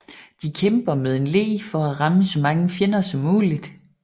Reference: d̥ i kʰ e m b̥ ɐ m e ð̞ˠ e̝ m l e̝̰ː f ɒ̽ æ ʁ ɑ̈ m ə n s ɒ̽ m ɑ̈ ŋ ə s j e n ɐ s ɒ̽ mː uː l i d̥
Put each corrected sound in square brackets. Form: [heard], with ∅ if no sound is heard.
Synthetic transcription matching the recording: d̥ i kʰ e m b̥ ɐ m e ð̞ˠ e̝ [n] l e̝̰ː f ɒ̽ æ ʁ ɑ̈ m ə [∅] s ɒ̽ m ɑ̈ ŋ ə [f] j e n ɐ s ɒ̽ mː uː l i d̥